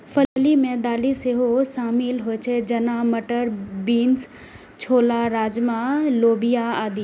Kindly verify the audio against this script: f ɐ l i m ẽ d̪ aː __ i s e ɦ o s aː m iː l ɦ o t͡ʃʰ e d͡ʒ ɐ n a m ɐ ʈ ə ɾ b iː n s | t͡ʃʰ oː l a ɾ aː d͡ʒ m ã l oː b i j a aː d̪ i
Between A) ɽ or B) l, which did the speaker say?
B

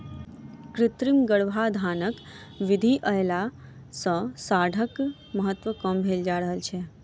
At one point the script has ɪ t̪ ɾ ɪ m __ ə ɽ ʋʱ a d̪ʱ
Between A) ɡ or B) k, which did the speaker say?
A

